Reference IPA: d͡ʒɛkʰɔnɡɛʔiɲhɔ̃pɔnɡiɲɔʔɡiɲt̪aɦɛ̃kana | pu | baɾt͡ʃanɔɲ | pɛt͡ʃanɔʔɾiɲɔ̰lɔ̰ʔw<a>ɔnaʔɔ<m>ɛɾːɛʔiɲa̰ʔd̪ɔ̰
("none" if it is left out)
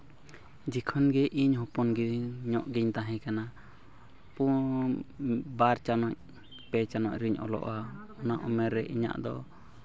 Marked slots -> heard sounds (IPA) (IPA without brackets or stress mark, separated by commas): a, m